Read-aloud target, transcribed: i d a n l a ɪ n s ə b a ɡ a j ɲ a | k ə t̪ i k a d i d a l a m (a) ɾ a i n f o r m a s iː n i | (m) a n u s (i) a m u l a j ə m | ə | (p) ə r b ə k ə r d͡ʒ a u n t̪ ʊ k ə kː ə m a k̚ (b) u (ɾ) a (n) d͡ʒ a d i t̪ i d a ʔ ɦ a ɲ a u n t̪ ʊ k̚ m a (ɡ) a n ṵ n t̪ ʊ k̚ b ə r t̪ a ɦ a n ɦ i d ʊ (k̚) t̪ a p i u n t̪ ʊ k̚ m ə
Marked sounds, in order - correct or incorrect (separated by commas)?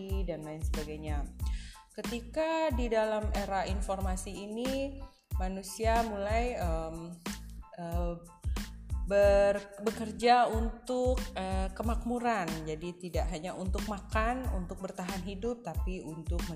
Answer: incorrect, correct, correct, incorrect, incorrect, correct, correct, incorrect, incorrect